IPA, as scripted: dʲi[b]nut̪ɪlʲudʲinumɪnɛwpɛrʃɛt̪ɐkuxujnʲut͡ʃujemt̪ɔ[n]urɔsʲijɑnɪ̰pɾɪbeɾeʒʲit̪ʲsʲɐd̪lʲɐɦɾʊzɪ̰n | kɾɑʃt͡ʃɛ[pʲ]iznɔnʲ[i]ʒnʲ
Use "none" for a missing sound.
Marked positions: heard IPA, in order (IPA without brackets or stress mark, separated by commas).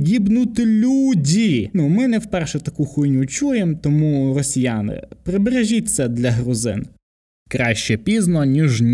b, m, pʲ, i